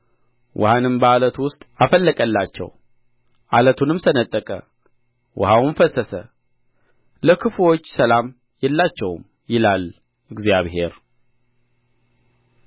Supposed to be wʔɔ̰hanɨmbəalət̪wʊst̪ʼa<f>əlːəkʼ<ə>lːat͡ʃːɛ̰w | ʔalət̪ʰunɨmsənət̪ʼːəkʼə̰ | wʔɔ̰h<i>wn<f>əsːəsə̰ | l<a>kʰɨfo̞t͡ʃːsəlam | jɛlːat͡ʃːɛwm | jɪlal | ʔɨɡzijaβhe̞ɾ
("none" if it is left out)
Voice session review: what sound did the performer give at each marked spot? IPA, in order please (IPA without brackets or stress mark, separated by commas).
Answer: f, ə, a, f, ə